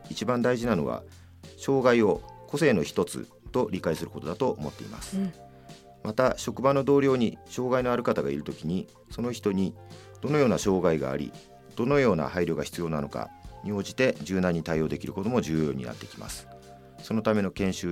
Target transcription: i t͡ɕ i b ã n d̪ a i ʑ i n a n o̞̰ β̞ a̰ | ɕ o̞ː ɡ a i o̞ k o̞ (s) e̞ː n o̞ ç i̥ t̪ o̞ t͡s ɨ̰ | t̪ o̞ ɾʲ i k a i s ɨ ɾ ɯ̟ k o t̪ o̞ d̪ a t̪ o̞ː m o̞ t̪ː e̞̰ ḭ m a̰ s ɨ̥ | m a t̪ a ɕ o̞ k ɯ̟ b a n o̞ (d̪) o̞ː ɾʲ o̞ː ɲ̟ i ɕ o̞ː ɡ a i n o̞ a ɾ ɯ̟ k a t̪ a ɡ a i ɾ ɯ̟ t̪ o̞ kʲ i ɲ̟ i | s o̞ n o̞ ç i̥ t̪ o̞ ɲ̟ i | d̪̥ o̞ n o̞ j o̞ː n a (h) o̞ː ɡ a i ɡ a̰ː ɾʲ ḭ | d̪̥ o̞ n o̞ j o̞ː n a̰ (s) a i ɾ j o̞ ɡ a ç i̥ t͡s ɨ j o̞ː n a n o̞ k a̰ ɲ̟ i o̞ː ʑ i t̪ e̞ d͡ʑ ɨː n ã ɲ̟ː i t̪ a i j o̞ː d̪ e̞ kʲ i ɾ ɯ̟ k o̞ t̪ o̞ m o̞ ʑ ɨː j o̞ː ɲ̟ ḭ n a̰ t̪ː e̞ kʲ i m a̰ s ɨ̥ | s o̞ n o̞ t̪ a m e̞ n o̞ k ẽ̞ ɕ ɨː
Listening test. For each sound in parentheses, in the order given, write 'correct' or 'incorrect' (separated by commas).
correct, correct, incorrect, incorrect